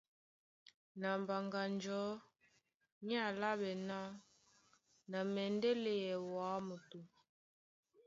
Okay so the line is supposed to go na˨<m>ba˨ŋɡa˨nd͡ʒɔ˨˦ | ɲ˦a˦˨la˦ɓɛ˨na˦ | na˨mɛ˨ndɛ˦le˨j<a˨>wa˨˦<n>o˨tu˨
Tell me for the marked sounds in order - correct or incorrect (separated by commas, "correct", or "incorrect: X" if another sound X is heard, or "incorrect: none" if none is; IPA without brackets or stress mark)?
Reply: correct, incorrect: ɛ˨, incorrect: m